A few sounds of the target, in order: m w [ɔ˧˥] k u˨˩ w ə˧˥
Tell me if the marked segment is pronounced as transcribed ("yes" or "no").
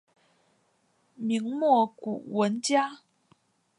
no